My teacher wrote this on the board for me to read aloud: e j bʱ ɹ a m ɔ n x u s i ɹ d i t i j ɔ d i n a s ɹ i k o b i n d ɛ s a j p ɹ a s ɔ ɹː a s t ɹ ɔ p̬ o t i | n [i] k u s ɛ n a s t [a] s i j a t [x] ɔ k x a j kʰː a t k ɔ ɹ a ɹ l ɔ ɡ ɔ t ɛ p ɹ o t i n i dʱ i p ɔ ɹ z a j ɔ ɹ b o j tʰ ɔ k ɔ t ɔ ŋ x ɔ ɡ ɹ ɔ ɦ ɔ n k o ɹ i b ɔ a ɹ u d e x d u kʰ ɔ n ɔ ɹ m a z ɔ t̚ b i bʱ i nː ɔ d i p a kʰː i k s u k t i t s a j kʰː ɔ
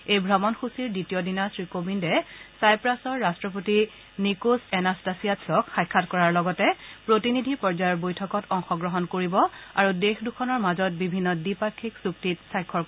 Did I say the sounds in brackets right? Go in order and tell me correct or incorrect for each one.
correct, correct, incorrect: s

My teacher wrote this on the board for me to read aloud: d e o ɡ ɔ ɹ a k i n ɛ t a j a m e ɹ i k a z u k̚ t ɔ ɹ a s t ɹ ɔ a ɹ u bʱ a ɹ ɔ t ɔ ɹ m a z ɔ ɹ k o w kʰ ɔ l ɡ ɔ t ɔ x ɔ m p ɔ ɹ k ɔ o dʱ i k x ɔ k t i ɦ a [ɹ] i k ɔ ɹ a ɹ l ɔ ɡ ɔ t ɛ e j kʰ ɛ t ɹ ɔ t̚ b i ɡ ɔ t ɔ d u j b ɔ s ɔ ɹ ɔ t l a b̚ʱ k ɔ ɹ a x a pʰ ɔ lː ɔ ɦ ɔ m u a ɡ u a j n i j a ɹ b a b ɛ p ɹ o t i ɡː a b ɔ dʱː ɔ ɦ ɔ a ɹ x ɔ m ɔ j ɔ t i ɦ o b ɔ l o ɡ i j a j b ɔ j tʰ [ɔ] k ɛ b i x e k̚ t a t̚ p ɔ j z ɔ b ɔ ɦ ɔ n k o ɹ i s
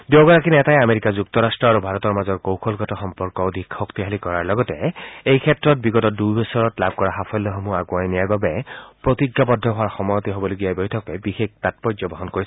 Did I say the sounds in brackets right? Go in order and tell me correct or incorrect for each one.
incorrect: l, correct

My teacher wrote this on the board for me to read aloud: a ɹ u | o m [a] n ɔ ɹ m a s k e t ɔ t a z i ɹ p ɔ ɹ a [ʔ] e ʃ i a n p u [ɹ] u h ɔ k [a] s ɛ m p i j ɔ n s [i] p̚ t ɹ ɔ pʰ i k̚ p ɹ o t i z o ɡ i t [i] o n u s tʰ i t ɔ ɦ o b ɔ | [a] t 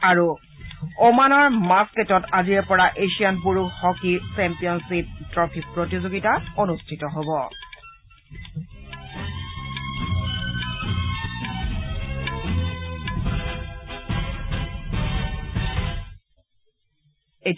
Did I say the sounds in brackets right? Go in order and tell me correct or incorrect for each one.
correct, correct, correct, incorrect: i, correct, incorrect: a, incorrect: e

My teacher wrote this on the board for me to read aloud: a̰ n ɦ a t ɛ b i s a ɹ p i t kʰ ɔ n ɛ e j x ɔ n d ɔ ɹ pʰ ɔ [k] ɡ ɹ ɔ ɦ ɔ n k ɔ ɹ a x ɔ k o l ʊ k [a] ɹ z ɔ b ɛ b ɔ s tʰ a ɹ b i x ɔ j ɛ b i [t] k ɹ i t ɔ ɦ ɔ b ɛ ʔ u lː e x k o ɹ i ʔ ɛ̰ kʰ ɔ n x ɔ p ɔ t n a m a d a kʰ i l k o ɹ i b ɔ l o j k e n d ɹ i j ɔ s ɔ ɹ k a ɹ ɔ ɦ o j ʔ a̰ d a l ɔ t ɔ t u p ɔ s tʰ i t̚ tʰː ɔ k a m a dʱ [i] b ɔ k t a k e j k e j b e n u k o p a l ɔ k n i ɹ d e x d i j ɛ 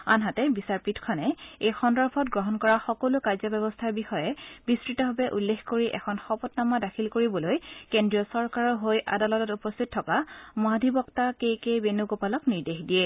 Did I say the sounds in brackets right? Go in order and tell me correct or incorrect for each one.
incorrect: t, correct, incorrect: s, correct

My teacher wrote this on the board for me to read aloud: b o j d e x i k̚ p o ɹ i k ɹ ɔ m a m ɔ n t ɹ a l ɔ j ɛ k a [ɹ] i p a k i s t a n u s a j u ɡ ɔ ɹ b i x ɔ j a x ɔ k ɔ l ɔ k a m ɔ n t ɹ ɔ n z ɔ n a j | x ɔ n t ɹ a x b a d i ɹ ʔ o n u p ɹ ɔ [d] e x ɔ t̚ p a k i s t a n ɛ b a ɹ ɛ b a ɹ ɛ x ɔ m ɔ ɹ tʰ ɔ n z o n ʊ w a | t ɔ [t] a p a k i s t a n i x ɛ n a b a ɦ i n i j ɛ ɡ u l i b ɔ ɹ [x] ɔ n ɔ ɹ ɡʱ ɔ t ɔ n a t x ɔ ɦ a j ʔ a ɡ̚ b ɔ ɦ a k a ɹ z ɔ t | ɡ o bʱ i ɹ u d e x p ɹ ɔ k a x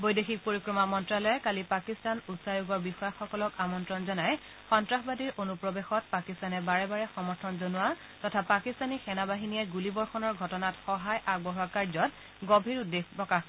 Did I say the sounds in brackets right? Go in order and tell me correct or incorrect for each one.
incorrect: l, incorrect: b, incorrect: tʰ, correct

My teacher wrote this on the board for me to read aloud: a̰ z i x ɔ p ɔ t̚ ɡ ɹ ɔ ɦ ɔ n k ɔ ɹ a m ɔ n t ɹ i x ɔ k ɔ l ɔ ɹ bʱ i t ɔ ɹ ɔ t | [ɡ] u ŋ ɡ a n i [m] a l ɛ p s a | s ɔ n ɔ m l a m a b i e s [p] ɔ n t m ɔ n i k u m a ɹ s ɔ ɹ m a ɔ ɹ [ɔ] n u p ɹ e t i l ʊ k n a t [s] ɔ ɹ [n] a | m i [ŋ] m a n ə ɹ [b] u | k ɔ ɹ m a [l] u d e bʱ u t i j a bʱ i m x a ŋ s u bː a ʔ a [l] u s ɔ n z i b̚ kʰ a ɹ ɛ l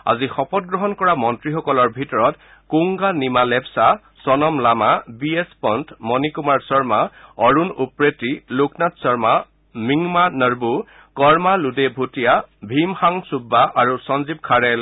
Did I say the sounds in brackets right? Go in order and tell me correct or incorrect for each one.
incorrect: k, correct, correct, incorrect: u, correct, incorrect: m, correct, correct, correct, incorrect: ɹ

